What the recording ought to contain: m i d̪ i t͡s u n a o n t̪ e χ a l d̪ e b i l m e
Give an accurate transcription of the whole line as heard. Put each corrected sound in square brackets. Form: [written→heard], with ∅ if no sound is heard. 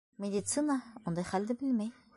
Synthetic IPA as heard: m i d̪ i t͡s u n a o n [t̪→d̪] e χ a l d̪ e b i l m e